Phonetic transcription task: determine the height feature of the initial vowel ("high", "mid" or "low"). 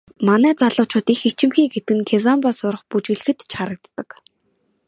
low